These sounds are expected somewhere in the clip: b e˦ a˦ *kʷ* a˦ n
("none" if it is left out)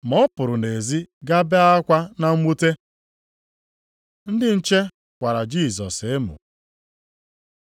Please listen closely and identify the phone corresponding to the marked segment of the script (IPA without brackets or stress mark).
kʷ